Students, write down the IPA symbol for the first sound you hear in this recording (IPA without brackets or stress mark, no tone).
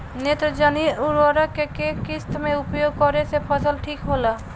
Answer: n